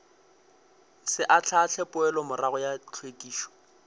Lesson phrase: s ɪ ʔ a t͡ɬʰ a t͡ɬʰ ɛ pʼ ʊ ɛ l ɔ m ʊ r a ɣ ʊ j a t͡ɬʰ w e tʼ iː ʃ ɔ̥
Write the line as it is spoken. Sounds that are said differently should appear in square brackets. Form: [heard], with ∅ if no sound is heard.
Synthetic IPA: s ɪ ʔ a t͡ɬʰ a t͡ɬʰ ɛ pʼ ʊ ɛ l ɔ m ʊ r a ɣ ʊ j a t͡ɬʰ w e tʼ iː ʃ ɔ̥